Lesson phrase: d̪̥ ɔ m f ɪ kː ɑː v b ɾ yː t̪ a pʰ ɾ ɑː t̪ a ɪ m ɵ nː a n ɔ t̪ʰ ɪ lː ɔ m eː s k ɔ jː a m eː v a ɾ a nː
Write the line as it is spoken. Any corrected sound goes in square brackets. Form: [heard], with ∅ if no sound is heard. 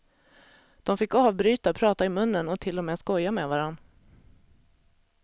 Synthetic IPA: d̪̥ ɔ m f ɪ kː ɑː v b ɾ yː t̪ a pʰ ɾ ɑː t̪ a ɪ m ɵ nː [ə] n ɔ t̪ʰ ɪ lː ɔ m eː s k ɔ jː a m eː v a ɾ a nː